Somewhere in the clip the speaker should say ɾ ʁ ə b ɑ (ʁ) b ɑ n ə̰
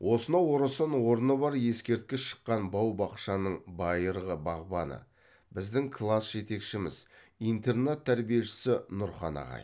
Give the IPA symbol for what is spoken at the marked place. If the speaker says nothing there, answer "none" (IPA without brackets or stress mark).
ʁ